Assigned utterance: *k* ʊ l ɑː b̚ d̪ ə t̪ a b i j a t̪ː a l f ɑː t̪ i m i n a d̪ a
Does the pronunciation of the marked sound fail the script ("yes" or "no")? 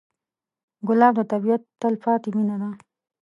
yes